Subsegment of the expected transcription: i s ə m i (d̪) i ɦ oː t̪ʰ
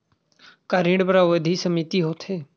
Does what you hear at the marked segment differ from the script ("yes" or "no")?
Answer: yes